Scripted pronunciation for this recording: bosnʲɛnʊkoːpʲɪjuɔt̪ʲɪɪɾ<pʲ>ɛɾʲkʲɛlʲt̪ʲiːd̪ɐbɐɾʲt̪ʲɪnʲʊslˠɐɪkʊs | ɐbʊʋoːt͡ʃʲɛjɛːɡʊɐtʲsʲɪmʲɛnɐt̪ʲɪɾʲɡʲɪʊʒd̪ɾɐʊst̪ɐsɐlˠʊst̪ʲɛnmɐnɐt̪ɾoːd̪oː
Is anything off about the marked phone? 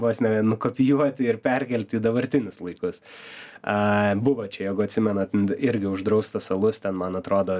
no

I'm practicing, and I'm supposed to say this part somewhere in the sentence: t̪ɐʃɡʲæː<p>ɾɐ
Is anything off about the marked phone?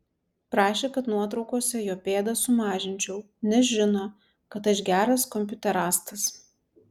yes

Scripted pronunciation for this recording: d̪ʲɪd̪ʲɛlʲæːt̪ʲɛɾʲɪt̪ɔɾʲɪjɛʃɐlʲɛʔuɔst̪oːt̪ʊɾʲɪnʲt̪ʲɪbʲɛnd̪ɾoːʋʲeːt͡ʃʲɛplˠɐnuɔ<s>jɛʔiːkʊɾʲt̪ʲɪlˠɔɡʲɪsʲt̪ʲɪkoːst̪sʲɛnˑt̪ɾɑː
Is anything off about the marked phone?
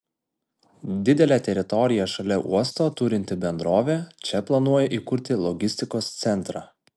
yes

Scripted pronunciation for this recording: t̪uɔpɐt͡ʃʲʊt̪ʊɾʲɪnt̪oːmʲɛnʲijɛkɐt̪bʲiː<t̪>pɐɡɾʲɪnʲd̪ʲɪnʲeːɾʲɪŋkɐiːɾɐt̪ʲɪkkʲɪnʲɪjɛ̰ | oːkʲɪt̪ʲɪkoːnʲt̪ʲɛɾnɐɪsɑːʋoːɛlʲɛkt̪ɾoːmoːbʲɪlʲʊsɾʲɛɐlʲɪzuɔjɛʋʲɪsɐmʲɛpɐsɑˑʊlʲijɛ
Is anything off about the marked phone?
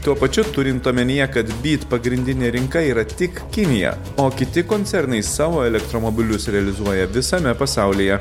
no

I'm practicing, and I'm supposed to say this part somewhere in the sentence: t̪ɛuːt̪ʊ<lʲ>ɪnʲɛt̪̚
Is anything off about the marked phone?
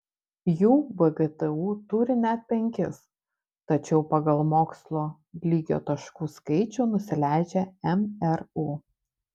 yes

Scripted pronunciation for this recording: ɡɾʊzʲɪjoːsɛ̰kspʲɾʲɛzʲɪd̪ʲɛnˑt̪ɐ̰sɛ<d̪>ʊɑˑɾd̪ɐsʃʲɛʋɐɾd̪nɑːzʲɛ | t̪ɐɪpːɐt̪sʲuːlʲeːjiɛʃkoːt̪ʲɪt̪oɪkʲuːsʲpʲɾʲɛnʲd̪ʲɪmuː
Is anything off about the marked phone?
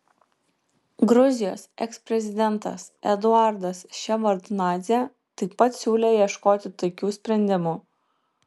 no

